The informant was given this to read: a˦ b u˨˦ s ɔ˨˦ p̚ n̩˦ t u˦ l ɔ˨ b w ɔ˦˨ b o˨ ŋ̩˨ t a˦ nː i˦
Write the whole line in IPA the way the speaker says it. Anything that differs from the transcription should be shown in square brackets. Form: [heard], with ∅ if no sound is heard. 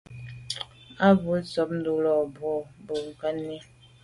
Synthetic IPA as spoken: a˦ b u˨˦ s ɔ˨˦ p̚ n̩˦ [d] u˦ l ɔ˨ b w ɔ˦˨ b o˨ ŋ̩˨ [k] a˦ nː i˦

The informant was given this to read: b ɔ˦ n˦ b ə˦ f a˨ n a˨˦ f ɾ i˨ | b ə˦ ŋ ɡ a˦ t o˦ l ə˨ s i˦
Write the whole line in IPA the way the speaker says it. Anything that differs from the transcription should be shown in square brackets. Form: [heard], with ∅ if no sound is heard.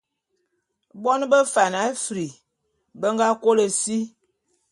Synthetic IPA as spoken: b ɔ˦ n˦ b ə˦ f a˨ n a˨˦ f ɾ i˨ | b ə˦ ŋ ɡ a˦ [k] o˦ l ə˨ s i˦

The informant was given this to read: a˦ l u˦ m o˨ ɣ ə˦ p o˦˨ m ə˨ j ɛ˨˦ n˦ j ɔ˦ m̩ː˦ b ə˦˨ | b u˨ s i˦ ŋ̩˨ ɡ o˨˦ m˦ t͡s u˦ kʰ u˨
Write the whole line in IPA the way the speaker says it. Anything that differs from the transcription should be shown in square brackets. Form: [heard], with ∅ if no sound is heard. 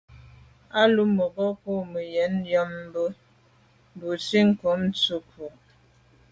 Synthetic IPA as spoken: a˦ l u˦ m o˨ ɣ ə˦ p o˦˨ m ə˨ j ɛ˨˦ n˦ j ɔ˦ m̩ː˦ b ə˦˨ | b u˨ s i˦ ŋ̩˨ [k] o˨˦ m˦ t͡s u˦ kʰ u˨

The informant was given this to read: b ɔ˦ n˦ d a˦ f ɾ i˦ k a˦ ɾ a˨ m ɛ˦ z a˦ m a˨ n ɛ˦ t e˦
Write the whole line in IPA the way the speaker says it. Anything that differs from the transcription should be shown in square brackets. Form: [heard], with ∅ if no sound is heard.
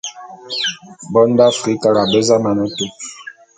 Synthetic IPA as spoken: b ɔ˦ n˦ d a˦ f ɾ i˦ k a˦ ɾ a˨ [b] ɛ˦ z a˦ m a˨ n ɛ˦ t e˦

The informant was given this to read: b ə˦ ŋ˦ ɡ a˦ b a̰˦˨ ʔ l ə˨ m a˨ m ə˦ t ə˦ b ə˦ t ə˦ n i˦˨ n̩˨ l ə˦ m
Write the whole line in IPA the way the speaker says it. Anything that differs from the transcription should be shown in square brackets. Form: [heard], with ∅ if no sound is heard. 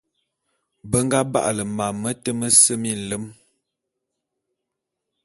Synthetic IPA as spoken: b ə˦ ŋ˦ ɡ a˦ b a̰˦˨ ʔ l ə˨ m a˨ m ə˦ t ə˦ [m] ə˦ [s] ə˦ [m] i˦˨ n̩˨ l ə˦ m

